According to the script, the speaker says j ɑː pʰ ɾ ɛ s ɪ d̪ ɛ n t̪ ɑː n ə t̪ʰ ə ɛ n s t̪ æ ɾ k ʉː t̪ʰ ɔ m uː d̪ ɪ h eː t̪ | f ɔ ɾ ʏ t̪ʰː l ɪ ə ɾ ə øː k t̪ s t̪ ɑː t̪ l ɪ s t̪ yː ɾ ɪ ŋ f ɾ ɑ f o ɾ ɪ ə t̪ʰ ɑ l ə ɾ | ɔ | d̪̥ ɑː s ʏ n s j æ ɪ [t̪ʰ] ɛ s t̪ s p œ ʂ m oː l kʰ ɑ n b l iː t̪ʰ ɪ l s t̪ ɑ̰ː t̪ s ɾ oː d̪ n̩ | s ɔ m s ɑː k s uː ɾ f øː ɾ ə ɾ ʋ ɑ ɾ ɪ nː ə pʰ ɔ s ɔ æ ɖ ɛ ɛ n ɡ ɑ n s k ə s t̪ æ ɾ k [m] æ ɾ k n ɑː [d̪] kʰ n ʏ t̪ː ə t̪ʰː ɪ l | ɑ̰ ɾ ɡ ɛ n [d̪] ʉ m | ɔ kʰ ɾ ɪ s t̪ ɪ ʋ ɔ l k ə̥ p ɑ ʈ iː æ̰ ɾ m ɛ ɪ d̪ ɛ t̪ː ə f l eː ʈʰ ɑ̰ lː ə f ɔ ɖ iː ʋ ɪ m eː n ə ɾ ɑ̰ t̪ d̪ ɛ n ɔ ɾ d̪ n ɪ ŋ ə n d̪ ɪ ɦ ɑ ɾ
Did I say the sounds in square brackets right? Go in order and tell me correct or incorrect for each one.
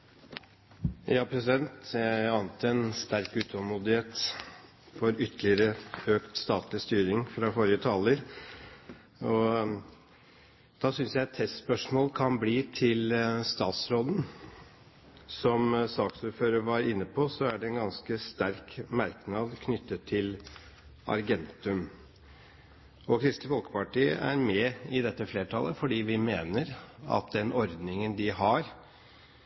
correct, correct, correct, incorrect: t̪

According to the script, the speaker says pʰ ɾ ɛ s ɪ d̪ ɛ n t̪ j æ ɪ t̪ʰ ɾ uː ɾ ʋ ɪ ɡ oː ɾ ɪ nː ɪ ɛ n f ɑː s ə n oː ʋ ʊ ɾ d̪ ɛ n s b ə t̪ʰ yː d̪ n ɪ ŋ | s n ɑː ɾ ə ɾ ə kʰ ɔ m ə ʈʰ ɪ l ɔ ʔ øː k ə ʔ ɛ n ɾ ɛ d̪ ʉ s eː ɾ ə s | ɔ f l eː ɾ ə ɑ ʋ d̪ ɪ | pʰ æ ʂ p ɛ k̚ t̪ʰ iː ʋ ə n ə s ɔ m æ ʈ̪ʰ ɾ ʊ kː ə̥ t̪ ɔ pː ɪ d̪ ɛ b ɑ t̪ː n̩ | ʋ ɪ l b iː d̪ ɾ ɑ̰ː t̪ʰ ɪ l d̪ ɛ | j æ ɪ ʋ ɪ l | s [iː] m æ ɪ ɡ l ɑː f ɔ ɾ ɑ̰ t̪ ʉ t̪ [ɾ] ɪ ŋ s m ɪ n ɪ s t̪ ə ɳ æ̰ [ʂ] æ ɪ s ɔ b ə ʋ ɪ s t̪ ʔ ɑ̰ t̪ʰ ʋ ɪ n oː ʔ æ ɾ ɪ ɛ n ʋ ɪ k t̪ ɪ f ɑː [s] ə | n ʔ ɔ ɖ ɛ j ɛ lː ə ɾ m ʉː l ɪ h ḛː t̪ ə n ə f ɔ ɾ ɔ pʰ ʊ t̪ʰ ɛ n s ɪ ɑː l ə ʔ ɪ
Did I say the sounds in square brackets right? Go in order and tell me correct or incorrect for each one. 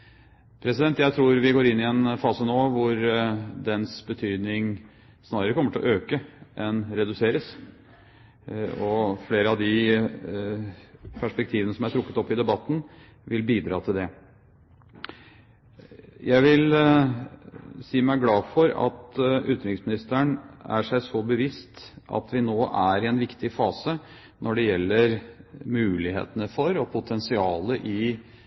correct, correct, correct, correct

